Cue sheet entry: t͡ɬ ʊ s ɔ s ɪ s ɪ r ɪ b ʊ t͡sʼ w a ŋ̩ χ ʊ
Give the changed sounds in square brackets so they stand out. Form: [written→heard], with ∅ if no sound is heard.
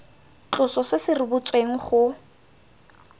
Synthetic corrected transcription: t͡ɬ ʊ s ɔ s ɪ s ɪ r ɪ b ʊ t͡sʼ w [a→e] ŋ̩ χ ʊ

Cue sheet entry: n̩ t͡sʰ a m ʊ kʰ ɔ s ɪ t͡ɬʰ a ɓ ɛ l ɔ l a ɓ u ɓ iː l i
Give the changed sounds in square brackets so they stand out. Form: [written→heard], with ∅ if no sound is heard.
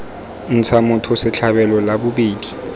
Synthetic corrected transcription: n̩ t͡sʰ a m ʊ [kʰ→tʰ] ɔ s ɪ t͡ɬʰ a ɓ ɛ l ɔ l a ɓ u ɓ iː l i

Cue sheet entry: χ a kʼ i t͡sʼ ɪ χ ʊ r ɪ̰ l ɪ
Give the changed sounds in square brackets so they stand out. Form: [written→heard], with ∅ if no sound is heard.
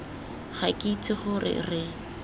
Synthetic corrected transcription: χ a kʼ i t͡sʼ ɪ χ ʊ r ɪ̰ [l→r] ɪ

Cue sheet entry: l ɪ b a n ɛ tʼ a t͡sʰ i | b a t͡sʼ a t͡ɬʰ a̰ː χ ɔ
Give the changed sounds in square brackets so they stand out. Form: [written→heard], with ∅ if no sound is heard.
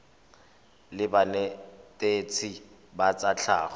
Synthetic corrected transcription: l ɪ b a n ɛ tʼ [a→e] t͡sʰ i | b a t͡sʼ a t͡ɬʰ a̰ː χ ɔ

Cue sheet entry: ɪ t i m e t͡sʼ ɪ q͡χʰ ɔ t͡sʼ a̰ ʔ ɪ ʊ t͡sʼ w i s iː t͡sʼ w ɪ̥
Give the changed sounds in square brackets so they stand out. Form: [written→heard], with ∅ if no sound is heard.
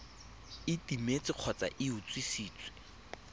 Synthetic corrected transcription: ɪ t i m e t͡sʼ ɪ q͡χʰ ɔ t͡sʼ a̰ ʔ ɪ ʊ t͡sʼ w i s iː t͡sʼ w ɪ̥

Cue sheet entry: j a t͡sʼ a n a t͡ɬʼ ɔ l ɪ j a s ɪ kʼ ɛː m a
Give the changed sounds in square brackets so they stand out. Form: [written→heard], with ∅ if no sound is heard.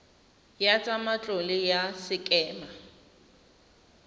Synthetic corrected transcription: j a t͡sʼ a [n→m] a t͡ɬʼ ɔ l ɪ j a s ɪ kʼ ɛː m a

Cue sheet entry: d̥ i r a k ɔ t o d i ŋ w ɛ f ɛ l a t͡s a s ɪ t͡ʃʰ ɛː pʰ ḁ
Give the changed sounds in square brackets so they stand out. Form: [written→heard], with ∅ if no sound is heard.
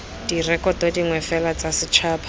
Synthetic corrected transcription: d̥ i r [a→ɛ] k ɔ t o d i ŋ w ɛ f ɛ l a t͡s a s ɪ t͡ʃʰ [ɛː→aː] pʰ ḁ

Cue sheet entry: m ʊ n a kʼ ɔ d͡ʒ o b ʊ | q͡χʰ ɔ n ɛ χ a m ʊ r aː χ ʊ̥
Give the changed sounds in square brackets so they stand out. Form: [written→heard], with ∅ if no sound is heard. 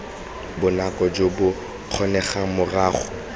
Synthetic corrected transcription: [m→b] ʊ n a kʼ ɔ d͡ʒ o b ʊ | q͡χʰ ɔ n ɛ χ a m ʊ r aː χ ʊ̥

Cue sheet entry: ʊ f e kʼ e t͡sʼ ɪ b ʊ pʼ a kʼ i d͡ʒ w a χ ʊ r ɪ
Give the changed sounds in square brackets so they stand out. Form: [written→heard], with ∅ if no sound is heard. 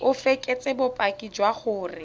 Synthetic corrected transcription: ʊ f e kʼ e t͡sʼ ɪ b ʊ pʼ a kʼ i d͡ʒ w a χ [ʊ→ʊː] r ɪ

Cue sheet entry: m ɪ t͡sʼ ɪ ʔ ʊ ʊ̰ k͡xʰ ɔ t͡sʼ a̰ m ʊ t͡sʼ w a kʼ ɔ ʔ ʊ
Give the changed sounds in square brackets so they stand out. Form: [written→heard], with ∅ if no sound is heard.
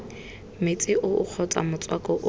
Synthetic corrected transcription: m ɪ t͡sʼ ɪ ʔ ʊ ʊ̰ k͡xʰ ɔ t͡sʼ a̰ m ʊ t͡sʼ w a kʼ ɔ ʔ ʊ

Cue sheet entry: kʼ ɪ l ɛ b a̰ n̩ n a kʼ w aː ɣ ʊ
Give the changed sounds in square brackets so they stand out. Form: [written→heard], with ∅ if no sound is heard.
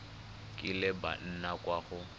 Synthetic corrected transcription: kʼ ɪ l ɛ b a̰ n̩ n a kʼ w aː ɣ ʊ

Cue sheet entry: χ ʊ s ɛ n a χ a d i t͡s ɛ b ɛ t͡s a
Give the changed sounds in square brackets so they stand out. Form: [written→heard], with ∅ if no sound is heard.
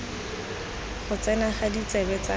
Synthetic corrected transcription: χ ʊ [s→t͡s] ɛ n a χ a d i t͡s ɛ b ɛ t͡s a

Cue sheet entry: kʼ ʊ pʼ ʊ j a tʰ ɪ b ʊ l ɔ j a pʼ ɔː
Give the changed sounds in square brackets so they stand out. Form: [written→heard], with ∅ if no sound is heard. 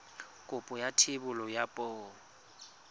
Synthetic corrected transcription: kʼ ʊ pʼ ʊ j a tʰ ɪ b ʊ l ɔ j a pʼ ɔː

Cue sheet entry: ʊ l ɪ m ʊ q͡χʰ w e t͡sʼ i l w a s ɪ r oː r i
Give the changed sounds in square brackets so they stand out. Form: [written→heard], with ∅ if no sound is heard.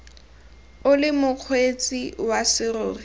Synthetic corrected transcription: ʊ l ɪ m ʊ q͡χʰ w e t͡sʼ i [l→∅] w a s ɪ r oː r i

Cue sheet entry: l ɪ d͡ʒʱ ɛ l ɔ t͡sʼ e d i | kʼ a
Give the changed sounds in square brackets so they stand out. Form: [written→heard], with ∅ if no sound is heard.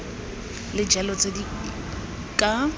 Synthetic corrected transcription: l ɪ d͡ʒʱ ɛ l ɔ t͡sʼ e d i | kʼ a

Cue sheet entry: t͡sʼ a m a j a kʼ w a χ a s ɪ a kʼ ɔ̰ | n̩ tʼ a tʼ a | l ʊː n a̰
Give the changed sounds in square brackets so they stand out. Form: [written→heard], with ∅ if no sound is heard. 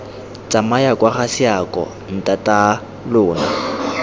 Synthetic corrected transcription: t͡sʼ a m a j a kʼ w a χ a s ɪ a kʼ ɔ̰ | n̩ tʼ a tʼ a | l ʊː n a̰

